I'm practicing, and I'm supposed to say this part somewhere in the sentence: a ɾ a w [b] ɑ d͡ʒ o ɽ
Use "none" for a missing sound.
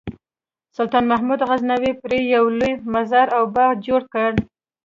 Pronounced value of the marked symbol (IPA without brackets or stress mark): b